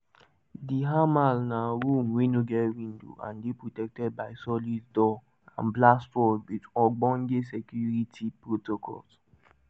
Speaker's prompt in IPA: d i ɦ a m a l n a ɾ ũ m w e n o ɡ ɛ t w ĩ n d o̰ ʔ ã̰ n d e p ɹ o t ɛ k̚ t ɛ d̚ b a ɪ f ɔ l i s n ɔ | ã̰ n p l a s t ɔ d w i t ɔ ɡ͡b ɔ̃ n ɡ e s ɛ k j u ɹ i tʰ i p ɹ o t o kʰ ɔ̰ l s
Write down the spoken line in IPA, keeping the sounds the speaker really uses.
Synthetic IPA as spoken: d i ɦ a m a l n a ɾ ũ m w e n o ɡ ɛ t w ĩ n d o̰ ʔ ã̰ n d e p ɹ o t ɛ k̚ t ɛ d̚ b a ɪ s ɔ l i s d ɔ | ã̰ n b l a s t ɔ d w i t ɔ ɡ͡b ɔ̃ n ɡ e s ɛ k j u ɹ i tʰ i p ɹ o t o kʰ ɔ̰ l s